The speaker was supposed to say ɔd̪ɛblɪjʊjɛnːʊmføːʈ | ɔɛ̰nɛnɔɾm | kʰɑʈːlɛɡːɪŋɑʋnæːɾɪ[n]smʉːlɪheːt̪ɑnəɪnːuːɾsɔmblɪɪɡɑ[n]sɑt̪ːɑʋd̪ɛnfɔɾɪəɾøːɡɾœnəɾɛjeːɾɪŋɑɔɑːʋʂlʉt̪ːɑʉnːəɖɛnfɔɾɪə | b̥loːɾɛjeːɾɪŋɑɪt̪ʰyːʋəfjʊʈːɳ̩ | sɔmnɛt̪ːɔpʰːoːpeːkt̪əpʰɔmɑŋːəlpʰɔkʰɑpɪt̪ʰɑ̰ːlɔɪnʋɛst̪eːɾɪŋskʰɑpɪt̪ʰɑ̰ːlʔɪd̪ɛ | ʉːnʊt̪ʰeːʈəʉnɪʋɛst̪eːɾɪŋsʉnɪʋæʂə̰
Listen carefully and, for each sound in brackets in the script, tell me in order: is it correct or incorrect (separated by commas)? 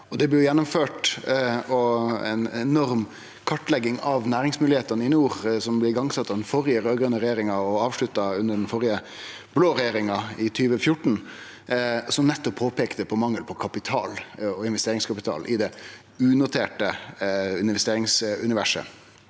incorrect, incorrect